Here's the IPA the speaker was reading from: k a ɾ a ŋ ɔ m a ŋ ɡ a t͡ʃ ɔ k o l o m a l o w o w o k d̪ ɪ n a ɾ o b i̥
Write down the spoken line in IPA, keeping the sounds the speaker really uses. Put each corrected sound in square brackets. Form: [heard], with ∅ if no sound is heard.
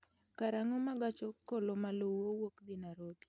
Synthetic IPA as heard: k a ɾ a ŋ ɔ m a [∅] ɡ a t͡ʃ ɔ k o l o m a l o w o w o k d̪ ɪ n a ɾ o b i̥